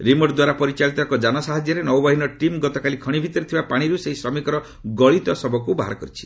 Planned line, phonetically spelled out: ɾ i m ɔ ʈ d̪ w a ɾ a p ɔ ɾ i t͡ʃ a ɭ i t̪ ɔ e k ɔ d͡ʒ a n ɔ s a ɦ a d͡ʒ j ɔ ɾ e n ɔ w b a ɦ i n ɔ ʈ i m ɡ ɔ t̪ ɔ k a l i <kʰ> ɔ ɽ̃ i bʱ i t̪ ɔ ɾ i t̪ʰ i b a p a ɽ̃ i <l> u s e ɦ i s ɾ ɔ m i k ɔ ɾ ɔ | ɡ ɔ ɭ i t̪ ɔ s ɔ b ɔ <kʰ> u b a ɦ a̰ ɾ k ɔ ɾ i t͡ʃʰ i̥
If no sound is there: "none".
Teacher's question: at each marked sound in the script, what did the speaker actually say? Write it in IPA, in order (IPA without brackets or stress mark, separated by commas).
kʰ, ɾ, k